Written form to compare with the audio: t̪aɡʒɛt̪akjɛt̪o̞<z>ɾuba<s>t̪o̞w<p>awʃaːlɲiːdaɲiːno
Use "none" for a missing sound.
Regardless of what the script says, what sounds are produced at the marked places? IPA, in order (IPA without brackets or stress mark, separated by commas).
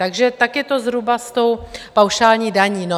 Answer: z, s, p